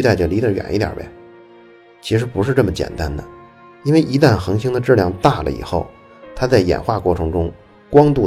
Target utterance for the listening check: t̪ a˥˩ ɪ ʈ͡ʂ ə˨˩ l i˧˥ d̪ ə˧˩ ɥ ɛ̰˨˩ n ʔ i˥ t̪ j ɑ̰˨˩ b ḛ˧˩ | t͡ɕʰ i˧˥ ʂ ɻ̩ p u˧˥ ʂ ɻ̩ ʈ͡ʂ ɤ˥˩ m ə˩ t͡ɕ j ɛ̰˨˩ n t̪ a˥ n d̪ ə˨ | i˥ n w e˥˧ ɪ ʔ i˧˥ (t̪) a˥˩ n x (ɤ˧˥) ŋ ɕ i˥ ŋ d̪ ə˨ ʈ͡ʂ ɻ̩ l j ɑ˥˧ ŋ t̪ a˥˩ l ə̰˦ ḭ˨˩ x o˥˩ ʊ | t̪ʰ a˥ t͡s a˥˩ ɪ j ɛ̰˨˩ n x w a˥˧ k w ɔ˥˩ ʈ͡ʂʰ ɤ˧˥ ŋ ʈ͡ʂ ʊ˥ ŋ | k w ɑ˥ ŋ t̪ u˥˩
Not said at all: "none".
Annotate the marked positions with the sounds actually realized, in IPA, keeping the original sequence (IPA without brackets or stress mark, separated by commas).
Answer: t̪, ɤ˧˥